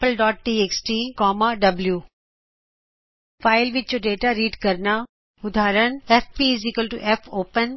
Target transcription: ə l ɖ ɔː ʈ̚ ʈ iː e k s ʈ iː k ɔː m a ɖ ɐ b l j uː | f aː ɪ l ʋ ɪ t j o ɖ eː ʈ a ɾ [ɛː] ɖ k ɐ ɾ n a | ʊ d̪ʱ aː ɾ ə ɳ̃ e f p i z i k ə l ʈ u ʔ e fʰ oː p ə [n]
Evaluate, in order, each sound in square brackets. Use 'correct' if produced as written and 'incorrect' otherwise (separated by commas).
incorrect, correct